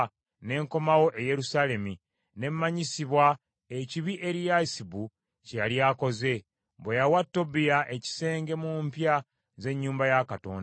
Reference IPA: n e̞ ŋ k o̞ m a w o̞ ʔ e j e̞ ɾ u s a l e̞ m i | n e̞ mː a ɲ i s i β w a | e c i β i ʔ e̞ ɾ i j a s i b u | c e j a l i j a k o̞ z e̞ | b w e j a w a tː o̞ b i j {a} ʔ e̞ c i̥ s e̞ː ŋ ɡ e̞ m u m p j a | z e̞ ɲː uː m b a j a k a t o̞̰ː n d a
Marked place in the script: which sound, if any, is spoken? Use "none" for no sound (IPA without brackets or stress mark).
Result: a